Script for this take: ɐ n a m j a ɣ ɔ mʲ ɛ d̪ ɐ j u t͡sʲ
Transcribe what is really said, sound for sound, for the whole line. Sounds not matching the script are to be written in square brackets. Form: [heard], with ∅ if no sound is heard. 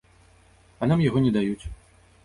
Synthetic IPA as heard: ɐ n a m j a ɣ ɔ [nʲ] ɛ d̪ [a] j u t͡sʲ